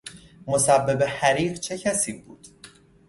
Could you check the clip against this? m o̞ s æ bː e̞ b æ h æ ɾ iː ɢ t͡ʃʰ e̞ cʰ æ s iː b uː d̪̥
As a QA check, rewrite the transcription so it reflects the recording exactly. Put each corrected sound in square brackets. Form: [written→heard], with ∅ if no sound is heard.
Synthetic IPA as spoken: m o̞ s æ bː e̞ b [æ→e] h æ ɾ iː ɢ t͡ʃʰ e̞ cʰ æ s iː b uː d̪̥